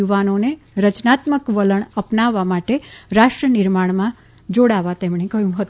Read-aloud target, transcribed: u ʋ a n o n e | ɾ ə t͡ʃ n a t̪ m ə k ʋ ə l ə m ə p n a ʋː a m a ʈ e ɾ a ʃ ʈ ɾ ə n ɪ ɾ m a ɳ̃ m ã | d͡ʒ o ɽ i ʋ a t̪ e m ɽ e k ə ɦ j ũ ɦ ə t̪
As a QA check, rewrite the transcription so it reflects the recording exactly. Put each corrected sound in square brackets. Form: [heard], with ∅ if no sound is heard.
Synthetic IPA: u ʋ a n o n e | ɾ ə t͡ʃ n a t̪ m ə k ʋ ə l ə [ɳ] ə p n a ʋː a m a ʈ e ɾ a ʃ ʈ ɾ ə n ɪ ɾ m a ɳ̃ m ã | d͡ʒ o ɽ [a] ʋ a t̪ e m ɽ e k ə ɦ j ũ ɦ ə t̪